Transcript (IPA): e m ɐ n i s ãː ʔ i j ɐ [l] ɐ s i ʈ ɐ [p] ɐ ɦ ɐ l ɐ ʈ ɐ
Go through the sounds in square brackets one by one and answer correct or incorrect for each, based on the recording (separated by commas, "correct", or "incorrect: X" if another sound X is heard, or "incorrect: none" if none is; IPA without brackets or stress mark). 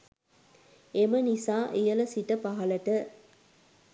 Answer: correct, correct